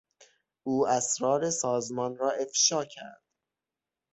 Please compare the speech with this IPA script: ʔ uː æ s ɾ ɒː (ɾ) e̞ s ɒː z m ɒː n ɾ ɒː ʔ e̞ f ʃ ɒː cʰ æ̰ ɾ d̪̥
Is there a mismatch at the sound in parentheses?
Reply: no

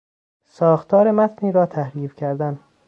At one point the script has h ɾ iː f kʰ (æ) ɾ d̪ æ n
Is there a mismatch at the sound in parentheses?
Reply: no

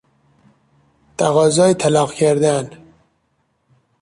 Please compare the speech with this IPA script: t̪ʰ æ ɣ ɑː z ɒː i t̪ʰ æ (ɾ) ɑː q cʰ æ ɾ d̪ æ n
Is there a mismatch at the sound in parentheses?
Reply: yes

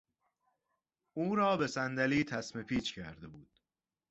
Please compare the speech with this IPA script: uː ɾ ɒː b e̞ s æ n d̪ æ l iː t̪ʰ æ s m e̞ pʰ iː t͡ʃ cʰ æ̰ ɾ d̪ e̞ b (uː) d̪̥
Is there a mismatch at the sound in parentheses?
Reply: no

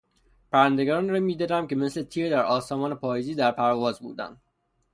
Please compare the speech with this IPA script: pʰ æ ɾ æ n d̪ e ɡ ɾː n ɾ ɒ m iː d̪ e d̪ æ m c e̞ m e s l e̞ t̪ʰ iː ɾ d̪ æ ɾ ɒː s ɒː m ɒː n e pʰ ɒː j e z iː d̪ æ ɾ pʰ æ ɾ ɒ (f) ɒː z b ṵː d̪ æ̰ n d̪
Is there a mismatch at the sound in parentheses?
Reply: yes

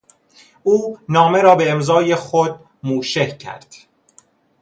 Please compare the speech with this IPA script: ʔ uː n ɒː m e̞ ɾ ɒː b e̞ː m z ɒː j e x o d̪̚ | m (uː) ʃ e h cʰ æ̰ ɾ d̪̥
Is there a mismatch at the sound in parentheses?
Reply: no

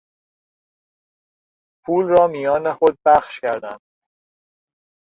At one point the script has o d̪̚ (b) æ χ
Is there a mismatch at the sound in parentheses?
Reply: no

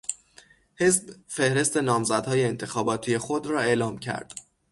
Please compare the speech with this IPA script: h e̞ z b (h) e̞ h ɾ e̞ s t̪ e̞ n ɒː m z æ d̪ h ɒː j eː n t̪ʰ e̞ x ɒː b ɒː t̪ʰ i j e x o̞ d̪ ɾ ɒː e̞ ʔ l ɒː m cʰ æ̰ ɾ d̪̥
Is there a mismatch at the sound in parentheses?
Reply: yes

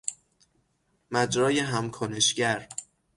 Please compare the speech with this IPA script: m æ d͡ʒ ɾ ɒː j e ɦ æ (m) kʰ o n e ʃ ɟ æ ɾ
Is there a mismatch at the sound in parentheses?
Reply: no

